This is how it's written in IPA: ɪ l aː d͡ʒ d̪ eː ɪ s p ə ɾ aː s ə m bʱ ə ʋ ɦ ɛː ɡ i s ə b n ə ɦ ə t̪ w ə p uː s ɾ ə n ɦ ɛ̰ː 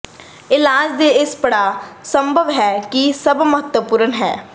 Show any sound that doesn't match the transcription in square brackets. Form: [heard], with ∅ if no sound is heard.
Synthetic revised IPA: ɪ l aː d͡ʒ d̪ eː ɪ s p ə [ɽ] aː s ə m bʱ ə ʋ ɦ ɛː [k] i s ə b [m] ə ɦ ə t̪ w ə p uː [∅] ɾ ə n ɦ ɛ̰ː